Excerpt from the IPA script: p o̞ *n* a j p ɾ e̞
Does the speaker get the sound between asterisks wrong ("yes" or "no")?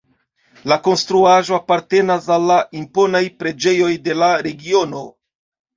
no